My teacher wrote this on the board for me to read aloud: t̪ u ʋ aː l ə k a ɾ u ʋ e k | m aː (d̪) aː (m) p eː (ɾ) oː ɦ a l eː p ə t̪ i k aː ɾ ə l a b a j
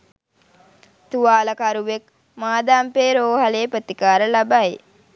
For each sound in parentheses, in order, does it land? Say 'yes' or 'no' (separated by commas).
yes, yes, yes